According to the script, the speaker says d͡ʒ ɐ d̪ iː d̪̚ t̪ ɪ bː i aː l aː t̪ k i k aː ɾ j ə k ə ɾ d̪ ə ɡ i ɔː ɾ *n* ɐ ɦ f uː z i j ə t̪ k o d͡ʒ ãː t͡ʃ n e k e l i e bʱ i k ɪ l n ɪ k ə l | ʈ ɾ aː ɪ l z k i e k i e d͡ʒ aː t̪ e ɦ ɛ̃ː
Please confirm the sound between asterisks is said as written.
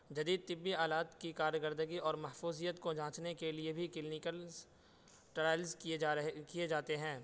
no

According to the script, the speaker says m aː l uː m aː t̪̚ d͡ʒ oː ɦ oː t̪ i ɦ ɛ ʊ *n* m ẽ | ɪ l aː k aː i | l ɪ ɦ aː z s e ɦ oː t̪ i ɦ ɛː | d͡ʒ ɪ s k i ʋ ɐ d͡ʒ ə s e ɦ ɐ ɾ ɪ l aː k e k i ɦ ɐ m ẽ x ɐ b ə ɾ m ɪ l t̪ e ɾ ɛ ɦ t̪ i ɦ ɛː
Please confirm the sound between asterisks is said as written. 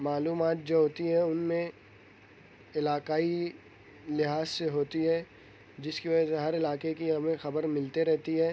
yes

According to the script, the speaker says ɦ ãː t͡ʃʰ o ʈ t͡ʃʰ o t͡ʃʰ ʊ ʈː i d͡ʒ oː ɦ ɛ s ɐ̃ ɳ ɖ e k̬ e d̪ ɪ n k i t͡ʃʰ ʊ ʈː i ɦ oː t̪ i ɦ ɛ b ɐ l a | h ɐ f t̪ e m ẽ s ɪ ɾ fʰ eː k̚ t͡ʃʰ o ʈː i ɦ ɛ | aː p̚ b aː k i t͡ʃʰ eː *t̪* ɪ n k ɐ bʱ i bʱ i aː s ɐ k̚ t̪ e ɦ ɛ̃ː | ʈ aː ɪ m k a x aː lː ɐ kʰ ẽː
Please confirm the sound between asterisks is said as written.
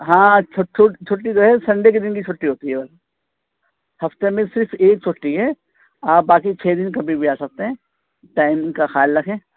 no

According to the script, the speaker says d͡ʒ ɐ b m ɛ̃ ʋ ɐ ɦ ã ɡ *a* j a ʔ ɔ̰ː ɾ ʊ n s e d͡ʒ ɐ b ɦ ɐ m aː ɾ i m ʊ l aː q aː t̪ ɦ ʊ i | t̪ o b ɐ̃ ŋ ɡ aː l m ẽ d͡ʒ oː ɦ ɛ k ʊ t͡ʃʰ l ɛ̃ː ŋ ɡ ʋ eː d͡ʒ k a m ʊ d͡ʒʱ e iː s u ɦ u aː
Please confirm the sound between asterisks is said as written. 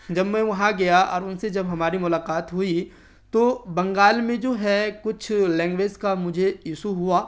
no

